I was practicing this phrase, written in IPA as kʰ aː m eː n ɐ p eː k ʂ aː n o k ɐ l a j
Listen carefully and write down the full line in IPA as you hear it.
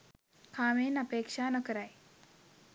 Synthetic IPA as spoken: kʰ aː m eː n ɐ p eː k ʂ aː n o k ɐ ɾ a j